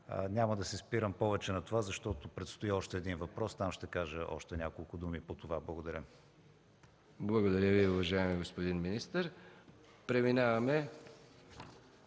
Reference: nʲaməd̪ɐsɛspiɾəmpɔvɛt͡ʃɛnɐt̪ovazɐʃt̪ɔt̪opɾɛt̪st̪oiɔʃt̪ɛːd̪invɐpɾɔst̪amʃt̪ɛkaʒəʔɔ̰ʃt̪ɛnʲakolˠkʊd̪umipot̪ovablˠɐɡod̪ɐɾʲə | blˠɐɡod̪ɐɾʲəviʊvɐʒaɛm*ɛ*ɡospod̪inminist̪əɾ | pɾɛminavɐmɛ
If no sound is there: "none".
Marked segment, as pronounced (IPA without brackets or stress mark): i